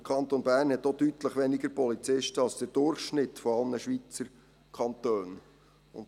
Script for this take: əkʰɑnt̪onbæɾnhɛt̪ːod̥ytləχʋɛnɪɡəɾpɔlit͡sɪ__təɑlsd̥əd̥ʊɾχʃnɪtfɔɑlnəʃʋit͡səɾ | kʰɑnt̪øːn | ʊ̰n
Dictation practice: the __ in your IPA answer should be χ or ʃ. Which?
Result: ʃ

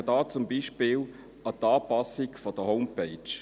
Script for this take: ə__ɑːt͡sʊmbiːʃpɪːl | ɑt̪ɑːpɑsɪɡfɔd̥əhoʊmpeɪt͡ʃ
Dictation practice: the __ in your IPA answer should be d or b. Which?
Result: d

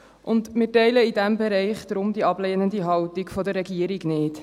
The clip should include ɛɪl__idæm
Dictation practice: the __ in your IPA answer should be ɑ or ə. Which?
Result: ə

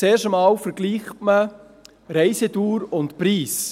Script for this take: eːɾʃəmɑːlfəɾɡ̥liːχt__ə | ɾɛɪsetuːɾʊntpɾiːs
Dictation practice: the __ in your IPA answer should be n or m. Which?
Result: m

